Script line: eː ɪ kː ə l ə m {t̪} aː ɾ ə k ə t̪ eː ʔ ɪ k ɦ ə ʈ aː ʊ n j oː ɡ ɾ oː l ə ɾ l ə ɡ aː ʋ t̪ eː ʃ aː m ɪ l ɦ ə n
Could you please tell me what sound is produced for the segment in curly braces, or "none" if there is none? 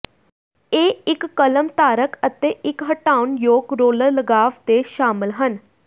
t̪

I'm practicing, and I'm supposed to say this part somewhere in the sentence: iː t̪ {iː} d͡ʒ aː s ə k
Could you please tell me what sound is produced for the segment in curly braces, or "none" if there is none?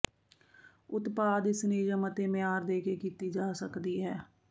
iː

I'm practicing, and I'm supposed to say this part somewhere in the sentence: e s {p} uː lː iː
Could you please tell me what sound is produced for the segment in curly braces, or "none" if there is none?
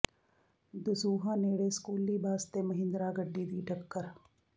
k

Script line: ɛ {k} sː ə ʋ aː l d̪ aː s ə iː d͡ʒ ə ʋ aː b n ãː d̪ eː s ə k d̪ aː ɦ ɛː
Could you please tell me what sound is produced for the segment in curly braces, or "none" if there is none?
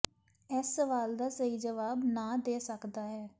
none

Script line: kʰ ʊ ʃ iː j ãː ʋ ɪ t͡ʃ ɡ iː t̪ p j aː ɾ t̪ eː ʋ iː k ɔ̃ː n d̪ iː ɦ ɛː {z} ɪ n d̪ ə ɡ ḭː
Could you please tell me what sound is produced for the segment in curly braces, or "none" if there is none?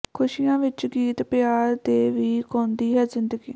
z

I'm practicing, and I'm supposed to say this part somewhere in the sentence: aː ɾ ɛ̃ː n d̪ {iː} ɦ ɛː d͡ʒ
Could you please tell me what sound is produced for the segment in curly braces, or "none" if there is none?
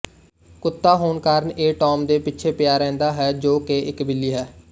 aː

